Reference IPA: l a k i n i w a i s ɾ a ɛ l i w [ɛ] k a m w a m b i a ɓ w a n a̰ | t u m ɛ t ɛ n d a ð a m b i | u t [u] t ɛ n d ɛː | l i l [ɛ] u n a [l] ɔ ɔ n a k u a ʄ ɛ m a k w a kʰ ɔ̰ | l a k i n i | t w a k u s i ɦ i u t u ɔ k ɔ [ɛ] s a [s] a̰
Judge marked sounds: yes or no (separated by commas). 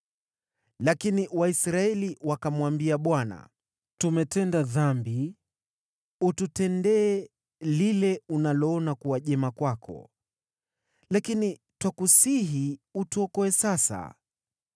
no, yes, yes, yes, yes, yes